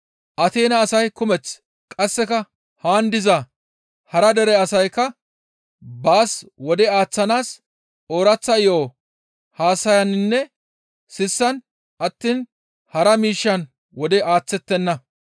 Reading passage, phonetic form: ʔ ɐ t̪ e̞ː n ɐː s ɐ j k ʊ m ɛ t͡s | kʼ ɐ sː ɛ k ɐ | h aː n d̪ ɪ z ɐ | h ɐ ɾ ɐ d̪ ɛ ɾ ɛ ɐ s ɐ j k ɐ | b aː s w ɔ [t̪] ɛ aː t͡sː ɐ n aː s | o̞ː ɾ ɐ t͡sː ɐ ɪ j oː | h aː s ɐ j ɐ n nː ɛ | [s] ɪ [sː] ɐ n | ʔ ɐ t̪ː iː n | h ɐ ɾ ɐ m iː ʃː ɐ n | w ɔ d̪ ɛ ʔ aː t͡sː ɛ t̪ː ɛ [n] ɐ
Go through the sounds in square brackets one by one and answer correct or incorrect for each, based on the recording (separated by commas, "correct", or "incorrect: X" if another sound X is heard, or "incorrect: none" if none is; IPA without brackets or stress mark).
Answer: incorrect: d̪, correct, correct, incorrect: nː